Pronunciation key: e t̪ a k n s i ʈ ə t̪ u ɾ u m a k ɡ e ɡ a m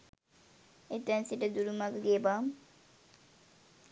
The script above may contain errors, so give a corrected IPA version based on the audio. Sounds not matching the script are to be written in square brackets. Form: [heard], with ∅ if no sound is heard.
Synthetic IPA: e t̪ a [∅] n s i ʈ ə [d̪] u ɾ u m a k ɡ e [b] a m